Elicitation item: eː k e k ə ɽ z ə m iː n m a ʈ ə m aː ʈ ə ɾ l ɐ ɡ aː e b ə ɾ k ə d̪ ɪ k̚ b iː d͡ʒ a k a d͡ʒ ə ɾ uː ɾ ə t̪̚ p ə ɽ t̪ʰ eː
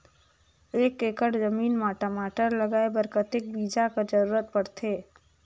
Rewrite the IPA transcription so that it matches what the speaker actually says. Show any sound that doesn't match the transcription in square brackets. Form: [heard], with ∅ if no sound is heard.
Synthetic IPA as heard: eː k e k ə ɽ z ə m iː n m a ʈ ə m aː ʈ ə ɾ l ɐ ɡ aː e b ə ɾ k ə [t̪] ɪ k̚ b iː d͡ʒ a k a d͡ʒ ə ɾ uː ɾ ə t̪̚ p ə ɽ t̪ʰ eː